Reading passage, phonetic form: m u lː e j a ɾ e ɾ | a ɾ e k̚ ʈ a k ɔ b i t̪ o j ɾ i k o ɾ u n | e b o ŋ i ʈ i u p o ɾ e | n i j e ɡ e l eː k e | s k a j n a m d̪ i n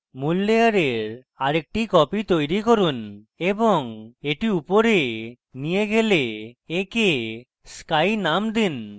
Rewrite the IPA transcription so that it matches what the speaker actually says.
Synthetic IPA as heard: m u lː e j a ɾ e ɾ | a ɾ e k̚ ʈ i k ɔ p i t̪ o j ɾ i k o ɾ u n | e b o ŋ e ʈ i u p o ɾ e | n i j e ɡ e l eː k e | s k a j n a m d̪ i n